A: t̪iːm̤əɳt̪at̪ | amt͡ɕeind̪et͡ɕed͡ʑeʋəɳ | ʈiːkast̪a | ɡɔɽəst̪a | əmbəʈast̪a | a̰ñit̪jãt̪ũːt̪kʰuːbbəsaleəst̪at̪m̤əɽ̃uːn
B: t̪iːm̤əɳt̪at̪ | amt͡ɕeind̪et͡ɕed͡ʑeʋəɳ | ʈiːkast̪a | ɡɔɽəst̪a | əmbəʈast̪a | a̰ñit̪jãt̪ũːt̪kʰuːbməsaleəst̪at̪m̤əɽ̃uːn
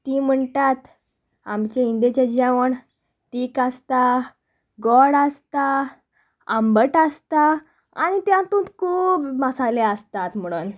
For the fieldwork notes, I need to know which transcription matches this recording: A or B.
B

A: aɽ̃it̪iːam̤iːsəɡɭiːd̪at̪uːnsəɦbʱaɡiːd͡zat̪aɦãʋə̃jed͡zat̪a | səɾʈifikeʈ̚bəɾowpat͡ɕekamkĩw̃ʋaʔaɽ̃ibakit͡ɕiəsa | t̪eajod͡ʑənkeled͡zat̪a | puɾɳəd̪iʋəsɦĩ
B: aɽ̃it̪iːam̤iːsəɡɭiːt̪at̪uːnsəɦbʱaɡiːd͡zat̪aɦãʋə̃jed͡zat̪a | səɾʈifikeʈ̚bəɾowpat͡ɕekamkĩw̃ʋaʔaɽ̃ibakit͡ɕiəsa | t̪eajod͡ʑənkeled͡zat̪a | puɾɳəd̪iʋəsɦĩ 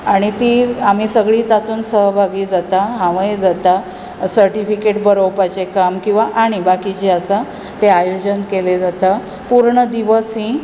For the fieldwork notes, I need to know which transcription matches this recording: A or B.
B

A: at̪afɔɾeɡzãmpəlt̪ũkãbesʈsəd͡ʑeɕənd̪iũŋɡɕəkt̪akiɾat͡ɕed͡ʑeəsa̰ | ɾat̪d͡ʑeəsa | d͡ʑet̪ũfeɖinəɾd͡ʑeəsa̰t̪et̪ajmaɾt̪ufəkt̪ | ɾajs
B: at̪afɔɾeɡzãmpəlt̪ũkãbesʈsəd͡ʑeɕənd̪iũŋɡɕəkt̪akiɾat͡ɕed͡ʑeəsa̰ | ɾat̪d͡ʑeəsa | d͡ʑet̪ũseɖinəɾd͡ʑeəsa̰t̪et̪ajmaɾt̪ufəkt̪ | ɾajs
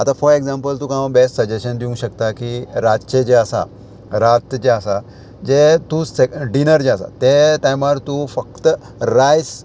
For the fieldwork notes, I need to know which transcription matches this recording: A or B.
B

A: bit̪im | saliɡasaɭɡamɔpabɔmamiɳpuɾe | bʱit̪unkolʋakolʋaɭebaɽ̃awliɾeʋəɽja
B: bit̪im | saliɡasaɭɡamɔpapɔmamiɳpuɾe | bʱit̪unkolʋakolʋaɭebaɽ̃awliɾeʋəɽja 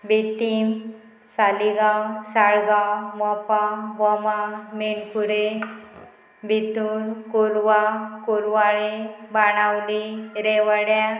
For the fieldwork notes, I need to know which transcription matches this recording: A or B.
A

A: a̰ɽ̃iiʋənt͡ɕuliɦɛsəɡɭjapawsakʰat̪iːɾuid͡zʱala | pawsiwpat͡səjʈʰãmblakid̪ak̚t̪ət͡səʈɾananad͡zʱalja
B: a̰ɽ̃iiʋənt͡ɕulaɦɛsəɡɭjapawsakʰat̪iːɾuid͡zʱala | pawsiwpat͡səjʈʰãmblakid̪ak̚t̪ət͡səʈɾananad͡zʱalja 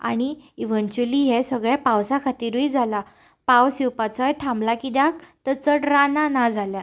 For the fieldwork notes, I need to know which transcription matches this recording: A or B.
A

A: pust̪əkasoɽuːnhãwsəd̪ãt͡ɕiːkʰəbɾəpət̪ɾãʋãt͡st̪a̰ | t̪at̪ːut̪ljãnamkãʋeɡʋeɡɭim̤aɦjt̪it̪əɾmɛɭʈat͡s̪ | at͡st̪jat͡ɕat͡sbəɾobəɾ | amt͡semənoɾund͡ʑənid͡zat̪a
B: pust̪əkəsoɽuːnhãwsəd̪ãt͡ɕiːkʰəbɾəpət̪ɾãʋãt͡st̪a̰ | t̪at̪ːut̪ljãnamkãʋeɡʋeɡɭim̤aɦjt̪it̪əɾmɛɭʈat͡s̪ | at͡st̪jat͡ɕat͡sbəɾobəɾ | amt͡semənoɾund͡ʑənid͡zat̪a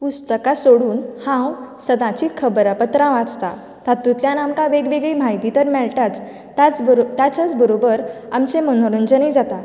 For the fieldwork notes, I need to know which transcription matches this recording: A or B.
A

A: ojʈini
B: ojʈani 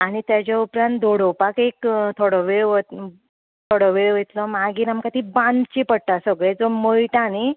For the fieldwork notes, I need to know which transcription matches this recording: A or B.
B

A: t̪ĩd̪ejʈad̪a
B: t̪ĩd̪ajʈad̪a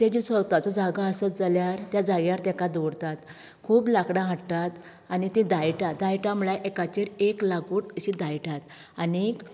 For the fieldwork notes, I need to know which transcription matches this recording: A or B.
B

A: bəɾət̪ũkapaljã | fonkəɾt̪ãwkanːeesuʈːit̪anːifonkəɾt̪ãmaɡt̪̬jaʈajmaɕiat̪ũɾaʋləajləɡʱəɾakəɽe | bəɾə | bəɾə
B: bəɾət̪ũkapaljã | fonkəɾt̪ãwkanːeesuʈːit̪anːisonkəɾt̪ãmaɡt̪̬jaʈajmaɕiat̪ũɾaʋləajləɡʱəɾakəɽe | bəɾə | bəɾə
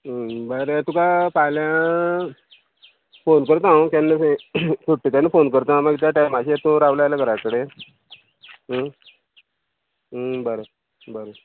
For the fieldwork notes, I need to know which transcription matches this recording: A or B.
A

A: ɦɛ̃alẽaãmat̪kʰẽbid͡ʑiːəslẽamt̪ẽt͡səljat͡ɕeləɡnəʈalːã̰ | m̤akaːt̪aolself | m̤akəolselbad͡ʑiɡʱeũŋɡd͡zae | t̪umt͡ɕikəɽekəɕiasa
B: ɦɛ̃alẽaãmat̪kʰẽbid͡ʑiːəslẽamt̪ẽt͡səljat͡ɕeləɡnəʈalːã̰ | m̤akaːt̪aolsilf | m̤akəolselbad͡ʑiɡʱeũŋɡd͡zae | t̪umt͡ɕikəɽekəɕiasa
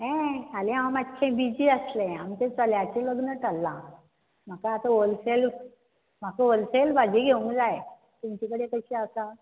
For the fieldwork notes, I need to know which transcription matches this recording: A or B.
A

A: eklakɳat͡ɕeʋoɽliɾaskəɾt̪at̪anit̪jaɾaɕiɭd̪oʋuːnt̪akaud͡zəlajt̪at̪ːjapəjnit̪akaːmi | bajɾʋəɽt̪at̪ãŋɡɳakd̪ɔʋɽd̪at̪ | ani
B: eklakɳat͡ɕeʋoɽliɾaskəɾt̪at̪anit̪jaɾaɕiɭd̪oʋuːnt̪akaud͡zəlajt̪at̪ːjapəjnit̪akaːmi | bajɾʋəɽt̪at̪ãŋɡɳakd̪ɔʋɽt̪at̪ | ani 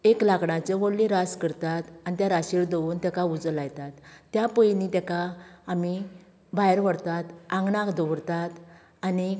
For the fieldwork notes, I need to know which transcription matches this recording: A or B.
B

